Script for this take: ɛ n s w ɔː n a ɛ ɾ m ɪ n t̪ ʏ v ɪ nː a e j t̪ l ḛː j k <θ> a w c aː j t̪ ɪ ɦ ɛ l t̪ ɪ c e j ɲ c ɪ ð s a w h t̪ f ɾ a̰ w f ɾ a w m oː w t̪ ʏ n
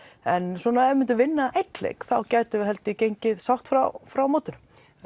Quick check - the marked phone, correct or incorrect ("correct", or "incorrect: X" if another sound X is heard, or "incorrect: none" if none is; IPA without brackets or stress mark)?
correct